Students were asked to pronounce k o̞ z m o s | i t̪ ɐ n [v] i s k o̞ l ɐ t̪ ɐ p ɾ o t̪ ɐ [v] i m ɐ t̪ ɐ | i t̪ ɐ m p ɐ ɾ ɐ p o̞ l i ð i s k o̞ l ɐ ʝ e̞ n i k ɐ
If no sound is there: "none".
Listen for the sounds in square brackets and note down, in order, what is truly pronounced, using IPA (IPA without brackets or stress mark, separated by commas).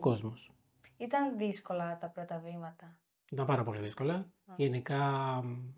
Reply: ð, v